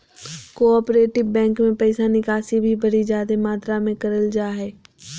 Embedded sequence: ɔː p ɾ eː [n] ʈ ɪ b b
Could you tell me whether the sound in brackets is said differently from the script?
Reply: yes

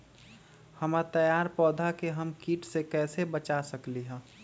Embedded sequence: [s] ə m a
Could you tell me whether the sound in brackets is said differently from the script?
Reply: yes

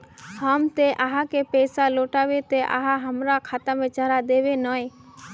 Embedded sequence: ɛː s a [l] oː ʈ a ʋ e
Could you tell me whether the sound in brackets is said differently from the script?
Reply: no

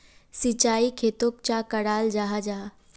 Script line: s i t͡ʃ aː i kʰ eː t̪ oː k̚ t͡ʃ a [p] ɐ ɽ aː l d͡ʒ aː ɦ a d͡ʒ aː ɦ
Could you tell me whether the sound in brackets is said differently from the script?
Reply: yes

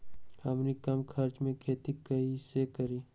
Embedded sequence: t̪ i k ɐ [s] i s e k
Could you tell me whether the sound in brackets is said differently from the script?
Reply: yes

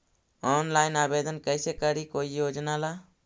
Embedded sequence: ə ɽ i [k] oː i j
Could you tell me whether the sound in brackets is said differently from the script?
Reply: no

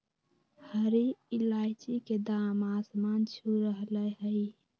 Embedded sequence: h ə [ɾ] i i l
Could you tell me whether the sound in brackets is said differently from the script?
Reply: no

